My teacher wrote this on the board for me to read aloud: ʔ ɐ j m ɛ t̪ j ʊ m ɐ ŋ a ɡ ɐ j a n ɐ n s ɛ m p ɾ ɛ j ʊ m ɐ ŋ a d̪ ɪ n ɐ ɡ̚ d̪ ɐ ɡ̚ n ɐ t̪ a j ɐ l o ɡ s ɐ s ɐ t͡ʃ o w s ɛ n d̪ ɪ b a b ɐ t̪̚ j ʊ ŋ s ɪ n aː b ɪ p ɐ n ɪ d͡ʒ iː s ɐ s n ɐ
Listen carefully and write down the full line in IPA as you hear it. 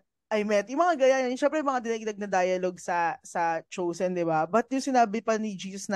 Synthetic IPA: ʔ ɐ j m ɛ t̪ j ʊ m ɐ ŋ a ɡ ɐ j a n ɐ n ʃ ɛ m p ɾ ɛ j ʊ m ɐ ŋ a d̪ ɪ n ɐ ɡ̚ d̪ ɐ ɡ̚ n ɐ d̪ a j ɐ l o ɡ s ɐ s ɐ t͡ʃ o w s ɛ n d̪ ɪ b a b ɐ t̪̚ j ʊ ŋ s ɪ n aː b ɪ p ɐ n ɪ d͡ʒ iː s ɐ s n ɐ